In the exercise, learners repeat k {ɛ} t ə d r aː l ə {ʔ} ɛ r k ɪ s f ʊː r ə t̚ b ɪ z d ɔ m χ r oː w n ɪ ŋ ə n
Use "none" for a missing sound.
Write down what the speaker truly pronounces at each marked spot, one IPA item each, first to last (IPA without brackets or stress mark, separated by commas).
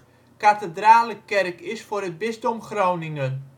a, k